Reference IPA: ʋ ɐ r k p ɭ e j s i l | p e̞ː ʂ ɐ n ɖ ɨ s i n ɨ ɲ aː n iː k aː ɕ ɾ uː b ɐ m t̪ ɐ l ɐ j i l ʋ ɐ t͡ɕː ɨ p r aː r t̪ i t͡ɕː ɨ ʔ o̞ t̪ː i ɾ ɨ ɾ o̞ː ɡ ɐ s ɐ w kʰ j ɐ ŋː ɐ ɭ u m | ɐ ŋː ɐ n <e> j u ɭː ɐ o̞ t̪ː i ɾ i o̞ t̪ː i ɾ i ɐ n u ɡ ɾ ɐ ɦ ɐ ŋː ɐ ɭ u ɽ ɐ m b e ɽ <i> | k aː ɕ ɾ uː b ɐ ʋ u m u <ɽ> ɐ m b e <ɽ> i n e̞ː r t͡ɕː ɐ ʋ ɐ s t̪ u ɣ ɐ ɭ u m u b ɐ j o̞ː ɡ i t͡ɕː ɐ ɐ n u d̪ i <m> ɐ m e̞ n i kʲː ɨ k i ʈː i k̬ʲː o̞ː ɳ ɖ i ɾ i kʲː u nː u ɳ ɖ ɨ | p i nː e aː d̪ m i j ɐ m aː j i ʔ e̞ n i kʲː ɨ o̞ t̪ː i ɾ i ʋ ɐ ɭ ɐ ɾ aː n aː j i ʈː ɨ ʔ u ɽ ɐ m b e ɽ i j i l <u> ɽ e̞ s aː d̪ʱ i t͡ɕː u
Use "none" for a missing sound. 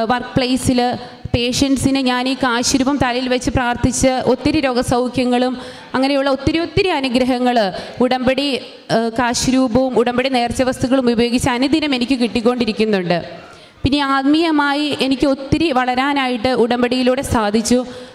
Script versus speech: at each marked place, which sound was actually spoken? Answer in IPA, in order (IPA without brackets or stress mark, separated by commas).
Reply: e, i, ɽ, ɽ, n, uː